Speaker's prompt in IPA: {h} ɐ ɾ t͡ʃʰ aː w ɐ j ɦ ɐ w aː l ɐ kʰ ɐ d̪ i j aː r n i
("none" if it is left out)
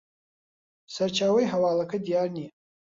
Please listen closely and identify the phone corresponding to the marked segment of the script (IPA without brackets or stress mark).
s